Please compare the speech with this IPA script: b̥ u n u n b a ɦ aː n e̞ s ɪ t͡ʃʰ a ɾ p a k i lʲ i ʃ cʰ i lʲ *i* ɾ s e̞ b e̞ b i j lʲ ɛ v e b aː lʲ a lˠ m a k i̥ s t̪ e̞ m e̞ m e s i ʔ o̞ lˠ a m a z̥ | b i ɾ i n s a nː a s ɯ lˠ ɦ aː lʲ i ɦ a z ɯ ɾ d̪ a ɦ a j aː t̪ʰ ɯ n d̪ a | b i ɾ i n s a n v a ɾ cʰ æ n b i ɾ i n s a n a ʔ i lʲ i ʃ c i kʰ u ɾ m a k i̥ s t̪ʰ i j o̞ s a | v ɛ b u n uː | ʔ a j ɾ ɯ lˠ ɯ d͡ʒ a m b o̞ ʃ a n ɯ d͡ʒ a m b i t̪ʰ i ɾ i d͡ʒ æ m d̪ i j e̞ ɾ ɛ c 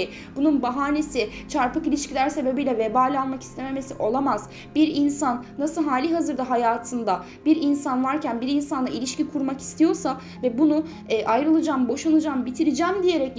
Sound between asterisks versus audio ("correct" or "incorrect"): incorrect